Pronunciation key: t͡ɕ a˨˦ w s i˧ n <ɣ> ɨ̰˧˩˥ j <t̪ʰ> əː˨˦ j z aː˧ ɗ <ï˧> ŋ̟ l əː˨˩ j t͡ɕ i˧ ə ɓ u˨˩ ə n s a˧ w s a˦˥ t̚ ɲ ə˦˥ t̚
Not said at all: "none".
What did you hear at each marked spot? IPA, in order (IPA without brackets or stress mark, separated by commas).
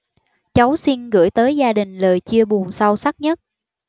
ɣ, t̪, ï˨˩